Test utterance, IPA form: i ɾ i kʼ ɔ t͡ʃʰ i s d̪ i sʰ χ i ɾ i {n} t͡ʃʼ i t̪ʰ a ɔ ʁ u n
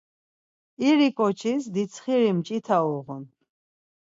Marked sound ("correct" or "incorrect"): incorrect